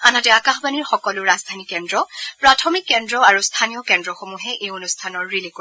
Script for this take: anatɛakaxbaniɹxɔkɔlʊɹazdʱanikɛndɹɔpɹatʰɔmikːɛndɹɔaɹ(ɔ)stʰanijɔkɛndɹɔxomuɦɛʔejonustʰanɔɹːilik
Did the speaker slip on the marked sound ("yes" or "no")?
yes